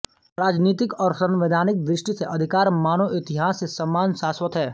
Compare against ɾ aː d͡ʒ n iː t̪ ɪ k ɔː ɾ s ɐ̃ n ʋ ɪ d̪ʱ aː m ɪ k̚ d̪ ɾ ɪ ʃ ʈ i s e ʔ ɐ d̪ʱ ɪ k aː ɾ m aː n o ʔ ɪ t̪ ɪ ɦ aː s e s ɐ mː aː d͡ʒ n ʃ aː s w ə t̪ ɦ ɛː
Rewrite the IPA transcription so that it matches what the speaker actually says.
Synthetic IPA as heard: ɾ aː d͡ʒ n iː t̪ ɪ k ɔː ɾ s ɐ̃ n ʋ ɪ d̪ʱ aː n ɪ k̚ d̪ ɾ ɪ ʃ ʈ i s e ʔ ɐ d̪ʱ ɪ k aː ɾ m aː n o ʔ ɪ t̪ ɪ ɦ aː s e s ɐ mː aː n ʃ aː s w ə t̪ ɦ ɛː